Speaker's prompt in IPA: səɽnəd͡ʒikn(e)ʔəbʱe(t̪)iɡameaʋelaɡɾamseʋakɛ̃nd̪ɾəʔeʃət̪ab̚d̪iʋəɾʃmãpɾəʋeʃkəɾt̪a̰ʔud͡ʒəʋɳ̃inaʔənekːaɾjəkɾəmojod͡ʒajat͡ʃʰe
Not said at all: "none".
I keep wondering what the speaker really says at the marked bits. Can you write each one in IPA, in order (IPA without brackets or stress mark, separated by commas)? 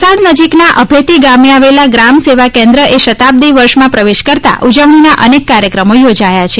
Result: a, t̪